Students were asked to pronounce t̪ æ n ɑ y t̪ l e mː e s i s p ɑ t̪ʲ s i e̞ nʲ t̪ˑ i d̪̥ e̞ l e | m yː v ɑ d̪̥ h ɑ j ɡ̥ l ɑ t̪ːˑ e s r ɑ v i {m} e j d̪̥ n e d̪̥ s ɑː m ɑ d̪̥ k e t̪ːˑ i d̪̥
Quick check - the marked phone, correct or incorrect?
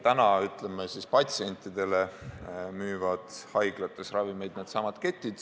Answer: correct